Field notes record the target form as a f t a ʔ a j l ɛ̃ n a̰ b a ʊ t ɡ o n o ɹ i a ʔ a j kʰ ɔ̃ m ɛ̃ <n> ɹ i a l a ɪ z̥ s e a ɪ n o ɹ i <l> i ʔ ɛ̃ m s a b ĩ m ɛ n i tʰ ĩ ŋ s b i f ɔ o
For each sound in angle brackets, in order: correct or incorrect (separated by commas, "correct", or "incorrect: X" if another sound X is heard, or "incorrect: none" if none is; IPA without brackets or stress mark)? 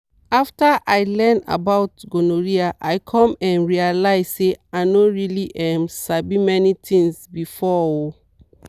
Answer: correct, correct